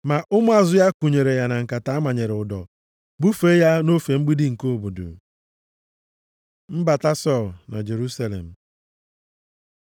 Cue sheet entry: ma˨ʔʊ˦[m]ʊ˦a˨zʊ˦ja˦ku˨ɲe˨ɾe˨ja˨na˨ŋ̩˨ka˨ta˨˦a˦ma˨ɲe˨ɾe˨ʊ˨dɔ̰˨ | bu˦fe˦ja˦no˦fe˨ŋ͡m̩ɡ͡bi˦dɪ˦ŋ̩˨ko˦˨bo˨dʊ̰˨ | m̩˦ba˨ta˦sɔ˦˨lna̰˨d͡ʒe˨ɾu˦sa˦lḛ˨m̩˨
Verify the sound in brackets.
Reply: correct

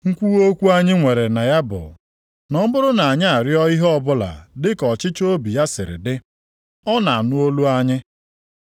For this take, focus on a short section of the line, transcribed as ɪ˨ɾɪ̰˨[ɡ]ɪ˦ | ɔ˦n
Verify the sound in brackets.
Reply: incorrect: d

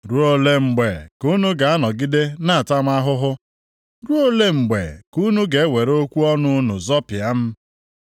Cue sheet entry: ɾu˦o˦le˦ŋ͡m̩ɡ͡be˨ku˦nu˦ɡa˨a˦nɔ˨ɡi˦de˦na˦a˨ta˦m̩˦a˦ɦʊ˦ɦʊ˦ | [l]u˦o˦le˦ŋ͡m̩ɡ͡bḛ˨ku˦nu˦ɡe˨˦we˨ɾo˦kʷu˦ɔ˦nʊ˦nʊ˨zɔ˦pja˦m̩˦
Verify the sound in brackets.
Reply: incorrect: ɾ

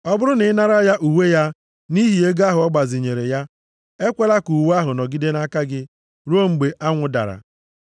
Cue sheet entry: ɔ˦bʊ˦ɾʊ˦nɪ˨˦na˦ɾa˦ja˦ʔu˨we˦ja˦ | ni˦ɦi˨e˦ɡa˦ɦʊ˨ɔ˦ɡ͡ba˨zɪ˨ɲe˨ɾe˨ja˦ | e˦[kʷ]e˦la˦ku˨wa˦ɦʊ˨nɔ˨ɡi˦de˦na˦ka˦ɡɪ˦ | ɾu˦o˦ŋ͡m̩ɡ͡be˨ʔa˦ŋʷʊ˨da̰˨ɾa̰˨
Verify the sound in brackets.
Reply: correct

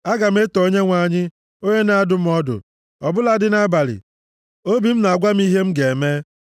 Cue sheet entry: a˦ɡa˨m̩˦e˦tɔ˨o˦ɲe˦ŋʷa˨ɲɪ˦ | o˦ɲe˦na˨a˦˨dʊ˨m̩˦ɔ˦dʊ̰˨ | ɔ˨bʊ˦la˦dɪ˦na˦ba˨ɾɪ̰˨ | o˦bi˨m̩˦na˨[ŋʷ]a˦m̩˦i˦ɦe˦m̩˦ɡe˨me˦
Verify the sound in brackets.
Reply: incorrect: ɡʷ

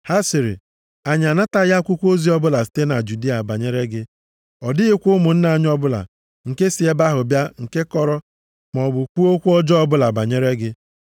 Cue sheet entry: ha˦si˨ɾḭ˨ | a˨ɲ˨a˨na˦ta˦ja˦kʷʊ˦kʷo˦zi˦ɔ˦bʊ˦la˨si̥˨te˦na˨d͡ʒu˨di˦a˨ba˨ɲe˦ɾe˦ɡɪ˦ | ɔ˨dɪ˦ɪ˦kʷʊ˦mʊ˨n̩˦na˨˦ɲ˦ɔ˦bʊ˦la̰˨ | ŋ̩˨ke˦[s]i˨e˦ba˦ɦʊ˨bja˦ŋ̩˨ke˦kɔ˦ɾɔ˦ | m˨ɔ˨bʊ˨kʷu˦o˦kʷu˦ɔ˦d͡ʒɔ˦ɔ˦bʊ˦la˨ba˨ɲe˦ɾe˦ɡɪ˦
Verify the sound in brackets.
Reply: correct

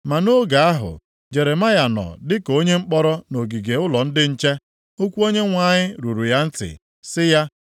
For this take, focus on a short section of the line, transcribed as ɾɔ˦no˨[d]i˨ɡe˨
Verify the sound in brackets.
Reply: incorrect: ɡ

